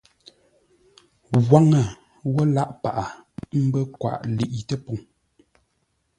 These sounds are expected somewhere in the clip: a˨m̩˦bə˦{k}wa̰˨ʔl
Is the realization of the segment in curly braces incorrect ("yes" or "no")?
no